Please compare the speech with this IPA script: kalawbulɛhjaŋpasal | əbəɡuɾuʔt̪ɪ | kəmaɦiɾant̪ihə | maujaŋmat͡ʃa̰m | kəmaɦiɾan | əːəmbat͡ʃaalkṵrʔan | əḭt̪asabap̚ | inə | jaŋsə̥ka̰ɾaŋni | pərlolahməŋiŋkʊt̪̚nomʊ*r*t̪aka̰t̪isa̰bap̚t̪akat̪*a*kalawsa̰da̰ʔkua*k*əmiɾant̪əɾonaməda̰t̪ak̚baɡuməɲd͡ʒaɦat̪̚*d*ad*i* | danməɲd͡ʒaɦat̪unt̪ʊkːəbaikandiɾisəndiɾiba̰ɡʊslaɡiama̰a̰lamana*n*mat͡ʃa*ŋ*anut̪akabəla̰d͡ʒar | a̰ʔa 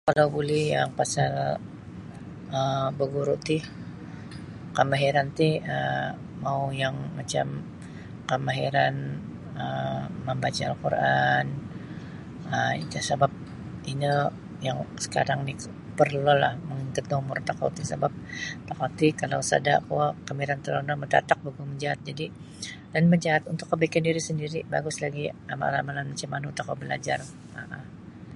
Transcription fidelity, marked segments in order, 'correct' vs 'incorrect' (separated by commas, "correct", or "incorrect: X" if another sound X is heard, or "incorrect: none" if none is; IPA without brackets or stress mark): correct, incorrect: i, correct, incorrect: d͡ʒ, correct, correct, incorrect: m